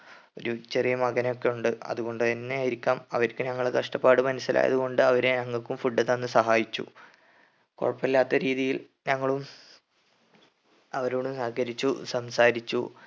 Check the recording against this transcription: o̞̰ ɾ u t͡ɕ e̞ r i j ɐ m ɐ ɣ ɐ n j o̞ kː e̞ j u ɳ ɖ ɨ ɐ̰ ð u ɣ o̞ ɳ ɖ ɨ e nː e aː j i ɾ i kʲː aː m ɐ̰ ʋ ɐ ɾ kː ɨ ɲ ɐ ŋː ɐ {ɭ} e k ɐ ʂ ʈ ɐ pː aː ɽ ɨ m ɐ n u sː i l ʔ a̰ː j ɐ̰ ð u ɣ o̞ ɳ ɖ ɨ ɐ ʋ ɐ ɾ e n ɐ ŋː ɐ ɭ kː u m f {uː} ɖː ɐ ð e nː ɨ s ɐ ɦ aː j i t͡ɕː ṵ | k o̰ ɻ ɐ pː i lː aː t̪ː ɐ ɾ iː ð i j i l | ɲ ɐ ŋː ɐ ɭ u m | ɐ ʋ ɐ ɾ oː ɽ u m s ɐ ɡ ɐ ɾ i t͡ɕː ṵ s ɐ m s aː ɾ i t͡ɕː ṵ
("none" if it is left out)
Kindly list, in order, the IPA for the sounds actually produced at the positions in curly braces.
ɭ, u

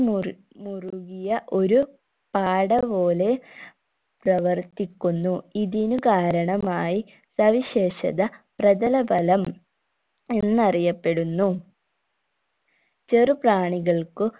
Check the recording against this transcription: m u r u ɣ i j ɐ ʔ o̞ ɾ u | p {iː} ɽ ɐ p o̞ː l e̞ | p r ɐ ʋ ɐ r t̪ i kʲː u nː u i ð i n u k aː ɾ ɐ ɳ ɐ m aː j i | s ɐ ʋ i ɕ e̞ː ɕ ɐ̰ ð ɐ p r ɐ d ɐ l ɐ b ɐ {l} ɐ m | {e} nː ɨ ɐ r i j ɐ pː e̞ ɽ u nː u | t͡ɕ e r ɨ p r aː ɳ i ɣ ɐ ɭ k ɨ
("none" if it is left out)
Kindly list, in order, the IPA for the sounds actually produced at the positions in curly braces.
aː, l, e

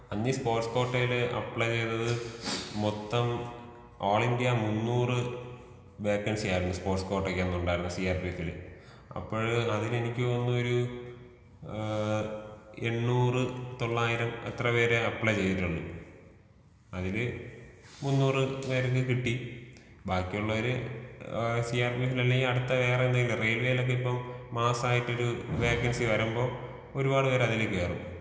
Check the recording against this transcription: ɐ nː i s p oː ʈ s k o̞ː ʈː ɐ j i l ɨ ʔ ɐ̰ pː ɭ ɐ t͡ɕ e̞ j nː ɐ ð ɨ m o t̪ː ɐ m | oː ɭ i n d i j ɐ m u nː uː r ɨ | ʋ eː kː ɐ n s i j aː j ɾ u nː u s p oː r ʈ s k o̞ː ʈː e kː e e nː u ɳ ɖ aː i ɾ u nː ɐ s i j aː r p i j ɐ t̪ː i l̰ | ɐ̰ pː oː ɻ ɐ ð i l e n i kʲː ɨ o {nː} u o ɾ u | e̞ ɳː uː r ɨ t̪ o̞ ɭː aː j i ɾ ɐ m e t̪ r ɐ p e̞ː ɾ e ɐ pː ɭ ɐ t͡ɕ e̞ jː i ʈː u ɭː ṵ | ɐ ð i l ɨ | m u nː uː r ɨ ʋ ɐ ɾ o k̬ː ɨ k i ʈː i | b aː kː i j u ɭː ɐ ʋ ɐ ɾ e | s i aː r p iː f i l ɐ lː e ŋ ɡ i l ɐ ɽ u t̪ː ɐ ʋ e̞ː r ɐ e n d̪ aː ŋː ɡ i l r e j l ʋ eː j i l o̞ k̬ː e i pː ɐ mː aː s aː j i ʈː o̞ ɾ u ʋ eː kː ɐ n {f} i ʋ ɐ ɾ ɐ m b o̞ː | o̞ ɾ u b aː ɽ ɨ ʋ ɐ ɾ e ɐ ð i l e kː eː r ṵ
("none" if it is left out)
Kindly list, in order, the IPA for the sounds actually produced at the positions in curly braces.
nː, s

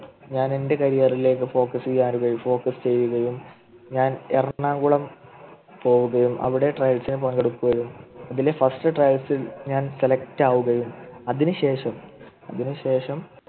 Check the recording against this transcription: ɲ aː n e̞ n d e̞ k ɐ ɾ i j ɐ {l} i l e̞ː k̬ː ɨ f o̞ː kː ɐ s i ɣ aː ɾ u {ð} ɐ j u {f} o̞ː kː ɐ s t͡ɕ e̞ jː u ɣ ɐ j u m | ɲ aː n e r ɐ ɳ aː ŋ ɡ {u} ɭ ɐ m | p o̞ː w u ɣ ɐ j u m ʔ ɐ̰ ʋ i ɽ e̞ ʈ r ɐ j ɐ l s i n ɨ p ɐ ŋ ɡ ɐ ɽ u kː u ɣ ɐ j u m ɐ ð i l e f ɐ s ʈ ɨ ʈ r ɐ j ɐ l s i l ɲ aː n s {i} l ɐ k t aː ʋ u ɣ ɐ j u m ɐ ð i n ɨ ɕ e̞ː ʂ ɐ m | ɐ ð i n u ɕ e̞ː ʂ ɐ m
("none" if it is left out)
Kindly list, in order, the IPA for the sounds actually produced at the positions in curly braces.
r, ɣ, f, u, e

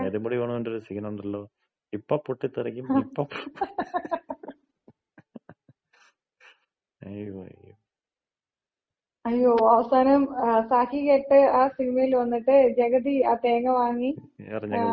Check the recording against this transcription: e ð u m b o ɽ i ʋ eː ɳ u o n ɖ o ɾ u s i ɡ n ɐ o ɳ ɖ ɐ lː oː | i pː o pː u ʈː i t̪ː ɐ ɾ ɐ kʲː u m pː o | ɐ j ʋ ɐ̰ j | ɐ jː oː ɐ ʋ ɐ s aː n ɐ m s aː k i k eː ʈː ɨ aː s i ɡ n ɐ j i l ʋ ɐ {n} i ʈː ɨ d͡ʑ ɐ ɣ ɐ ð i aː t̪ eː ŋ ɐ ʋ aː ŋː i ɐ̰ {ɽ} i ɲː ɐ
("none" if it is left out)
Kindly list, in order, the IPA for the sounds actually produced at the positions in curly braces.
nː, r

